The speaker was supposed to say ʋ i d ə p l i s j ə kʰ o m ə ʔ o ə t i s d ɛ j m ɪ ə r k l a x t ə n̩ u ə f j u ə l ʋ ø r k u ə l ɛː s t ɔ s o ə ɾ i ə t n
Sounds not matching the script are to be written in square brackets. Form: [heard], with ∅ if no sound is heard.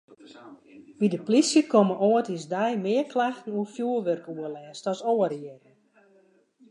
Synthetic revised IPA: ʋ i d ə p l i s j ə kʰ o m ə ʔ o ə t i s d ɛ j m ɪ ə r k l a x t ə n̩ u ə f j u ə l ʋ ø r k u ə l ɛː s t ɔ s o ə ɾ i ə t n